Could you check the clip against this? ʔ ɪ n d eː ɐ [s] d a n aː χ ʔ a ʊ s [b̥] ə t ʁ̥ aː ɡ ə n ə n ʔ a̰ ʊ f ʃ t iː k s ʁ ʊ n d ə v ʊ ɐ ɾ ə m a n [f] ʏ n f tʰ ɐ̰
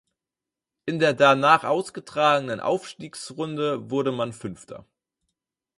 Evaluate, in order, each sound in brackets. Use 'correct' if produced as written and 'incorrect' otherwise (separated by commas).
incorrect, incorrect, correct